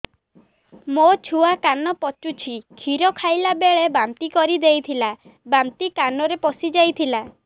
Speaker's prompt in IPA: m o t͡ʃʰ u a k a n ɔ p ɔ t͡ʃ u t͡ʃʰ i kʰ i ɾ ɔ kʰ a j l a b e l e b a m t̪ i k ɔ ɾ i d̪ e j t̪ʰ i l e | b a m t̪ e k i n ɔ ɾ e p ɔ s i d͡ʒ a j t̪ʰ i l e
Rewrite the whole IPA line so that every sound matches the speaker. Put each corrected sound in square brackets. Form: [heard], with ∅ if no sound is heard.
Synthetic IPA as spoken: m o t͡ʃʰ u a k a n ɔ p ɔ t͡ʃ u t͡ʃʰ i kʰ i ɾ ɔ kʰ a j l a b e [ɭ] e b a m t̪ i k ɔ ɾ i d̪ e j t̪ʰ i l [a] | b a m t̪ [i] k [a] n ɔ ɾ e p ɔ s i d͡ʒ a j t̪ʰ i l [a]